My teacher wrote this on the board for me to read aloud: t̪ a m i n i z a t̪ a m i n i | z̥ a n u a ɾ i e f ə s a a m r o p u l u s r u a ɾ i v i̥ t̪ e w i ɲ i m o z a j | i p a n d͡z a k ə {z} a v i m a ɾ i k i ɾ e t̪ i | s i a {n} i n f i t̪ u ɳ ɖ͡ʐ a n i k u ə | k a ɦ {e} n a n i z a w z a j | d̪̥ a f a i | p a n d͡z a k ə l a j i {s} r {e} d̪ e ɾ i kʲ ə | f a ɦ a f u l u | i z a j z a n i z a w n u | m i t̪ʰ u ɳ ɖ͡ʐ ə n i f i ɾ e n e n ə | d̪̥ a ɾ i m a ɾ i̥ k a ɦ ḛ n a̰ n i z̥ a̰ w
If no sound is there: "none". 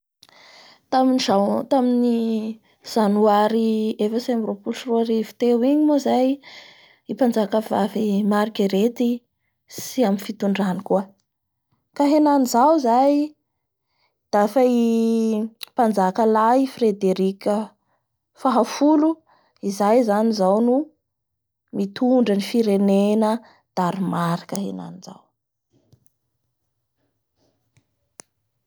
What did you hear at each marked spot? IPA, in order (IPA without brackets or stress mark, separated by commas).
v, m, e, f, e